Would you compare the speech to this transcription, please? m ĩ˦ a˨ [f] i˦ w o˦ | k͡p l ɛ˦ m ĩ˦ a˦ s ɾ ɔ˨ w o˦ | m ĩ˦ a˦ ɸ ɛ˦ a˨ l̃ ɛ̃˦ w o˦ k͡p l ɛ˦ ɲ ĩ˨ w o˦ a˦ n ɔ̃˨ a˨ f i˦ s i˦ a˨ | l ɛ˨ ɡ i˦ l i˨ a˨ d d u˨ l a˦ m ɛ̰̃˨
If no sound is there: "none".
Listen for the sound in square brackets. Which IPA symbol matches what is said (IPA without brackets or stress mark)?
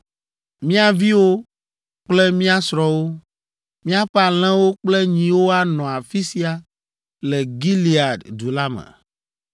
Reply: v